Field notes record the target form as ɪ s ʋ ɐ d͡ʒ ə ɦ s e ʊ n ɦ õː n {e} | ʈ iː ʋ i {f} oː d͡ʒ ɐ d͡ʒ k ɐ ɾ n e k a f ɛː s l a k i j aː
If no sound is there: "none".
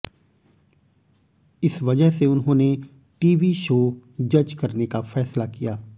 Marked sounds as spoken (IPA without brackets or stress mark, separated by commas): e, ʃ